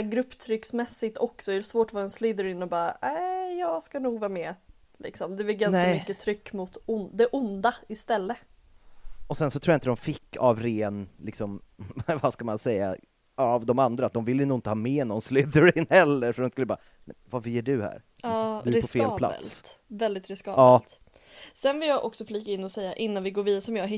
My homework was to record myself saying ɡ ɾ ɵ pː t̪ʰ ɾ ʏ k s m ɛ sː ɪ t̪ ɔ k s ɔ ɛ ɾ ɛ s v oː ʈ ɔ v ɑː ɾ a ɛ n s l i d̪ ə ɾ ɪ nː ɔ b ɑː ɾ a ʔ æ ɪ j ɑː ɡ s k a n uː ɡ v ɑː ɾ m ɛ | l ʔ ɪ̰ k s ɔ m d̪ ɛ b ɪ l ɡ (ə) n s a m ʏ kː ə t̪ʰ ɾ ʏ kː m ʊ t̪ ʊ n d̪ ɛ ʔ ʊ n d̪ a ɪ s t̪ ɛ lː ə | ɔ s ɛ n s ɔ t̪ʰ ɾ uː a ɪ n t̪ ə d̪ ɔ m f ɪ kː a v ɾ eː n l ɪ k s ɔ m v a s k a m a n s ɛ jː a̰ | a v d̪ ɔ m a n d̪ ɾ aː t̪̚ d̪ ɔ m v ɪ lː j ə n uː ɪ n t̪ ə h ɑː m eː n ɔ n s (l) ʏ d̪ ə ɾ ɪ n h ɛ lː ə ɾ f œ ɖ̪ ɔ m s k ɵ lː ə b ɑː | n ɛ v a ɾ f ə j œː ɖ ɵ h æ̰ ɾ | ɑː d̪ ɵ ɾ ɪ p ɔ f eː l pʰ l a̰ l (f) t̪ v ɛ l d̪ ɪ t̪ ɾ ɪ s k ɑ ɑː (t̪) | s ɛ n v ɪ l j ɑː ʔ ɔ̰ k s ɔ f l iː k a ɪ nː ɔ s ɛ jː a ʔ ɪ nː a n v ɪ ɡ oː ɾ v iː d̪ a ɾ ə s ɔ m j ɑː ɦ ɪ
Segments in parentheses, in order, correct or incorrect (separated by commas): incorrect, correct, incorrect, correct